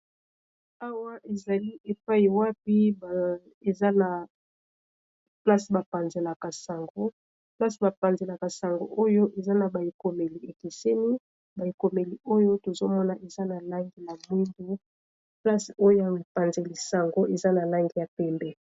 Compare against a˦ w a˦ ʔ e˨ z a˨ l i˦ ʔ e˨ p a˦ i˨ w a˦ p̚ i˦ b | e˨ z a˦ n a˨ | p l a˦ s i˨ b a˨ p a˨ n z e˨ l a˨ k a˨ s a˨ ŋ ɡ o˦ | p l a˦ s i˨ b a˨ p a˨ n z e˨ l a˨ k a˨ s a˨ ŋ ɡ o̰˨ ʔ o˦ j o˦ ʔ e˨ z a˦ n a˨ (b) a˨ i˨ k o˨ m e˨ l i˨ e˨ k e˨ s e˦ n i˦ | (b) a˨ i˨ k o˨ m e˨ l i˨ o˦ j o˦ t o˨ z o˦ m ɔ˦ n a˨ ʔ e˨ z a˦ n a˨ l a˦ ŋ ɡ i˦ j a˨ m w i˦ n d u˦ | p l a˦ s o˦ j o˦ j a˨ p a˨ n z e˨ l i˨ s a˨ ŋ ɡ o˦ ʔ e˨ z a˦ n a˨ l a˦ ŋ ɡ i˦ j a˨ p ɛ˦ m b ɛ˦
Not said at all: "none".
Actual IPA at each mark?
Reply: b, b

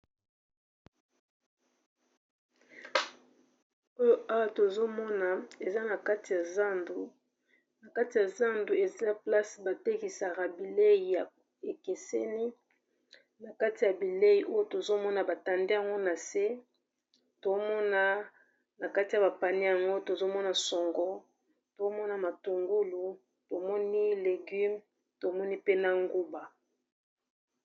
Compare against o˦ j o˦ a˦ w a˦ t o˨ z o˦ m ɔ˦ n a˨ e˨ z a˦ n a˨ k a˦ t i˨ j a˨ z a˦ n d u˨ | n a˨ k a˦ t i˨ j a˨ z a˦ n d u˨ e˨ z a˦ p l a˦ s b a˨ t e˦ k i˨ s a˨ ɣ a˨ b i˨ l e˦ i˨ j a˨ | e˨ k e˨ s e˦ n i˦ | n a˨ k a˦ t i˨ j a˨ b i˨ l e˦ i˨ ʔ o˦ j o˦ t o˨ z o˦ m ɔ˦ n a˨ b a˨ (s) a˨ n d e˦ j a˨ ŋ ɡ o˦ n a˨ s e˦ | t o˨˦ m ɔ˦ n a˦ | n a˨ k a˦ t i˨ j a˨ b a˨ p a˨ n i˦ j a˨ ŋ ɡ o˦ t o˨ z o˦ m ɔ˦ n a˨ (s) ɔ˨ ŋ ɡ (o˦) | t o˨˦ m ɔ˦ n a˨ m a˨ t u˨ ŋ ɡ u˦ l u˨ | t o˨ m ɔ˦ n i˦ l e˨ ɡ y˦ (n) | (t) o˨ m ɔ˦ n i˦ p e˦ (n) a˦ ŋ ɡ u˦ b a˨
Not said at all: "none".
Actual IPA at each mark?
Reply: t, s, ɔ˦, m, t, n

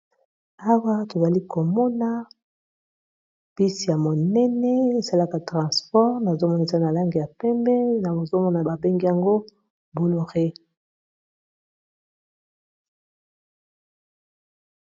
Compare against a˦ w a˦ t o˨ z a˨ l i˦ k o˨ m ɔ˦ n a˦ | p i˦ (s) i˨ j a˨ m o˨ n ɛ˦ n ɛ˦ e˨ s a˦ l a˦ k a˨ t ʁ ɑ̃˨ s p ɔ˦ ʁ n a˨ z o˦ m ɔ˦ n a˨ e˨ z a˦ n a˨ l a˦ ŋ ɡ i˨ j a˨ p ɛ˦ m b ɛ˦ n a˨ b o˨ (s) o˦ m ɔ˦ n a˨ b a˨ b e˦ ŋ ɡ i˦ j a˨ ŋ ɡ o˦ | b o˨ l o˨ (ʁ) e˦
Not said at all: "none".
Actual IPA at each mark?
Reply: s, z, ʁ

